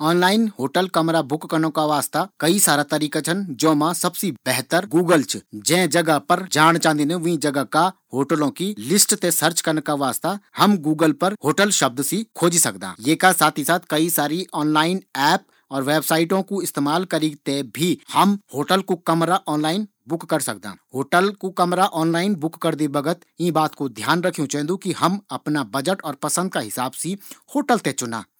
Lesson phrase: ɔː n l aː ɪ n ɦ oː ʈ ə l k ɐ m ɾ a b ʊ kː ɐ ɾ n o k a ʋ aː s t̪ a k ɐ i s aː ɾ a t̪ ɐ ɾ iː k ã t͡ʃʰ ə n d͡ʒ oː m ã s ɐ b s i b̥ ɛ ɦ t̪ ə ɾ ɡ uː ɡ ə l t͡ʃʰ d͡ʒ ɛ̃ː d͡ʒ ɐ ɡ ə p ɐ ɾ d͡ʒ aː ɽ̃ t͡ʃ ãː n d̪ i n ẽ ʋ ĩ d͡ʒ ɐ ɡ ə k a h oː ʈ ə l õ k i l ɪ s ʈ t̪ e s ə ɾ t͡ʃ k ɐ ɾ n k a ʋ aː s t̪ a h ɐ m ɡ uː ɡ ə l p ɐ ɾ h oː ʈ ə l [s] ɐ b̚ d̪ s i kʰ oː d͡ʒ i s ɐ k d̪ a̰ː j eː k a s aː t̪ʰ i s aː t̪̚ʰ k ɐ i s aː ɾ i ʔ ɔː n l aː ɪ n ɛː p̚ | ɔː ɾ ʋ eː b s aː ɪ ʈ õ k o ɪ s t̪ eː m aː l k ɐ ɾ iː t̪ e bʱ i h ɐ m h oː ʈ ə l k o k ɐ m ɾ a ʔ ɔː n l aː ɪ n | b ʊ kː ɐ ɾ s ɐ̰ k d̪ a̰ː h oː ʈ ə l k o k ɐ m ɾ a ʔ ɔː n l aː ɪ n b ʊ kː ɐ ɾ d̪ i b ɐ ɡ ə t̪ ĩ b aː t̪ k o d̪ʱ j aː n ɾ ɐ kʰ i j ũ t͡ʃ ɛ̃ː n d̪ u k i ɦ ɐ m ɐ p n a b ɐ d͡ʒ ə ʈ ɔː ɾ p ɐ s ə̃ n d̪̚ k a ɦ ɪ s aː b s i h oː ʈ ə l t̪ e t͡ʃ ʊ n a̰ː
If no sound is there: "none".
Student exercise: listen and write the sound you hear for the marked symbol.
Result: ʃ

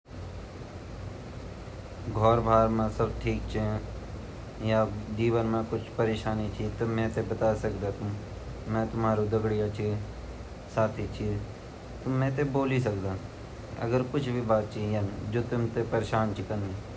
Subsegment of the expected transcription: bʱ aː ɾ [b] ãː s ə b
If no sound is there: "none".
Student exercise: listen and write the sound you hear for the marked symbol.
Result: m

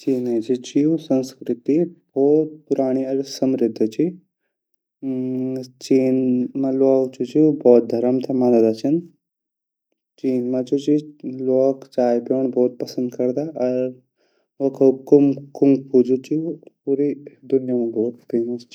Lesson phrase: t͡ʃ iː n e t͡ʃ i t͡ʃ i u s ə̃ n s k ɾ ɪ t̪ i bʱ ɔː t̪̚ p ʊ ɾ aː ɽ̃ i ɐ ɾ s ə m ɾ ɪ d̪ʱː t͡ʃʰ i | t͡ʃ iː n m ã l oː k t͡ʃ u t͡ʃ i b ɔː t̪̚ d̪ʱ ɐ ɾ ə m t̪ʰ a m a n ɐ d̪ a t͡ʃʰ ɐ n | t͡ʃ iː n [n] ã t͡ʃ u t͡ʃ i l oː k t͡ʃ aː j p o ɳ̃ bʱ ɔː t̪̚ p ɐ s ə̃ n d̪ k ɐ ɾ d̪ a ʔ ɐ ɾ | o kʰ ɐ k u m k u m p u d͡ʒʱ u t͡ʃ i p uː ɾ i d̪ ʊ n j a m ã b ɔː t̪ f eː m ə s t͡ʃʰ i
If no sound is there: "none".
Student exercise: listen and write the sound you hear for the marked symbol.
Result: m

